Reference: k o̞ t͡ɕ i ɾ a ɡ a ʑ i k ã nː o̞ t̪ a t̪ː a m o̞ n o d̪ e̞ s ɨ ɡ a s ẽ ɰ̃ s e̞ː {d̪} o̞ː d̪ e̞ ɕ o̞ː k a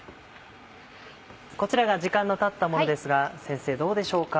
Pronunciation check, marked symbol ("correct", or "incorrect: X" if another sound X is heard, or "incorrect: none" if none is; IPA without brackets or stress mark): correct